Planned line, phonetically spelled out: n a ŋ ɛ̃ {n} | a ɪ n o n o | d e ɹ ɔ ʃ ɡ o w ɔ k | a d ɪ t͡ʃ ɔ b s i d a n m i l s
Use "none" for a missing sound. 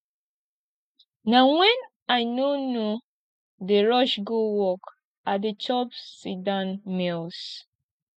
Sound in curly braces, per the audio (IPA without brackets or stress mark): n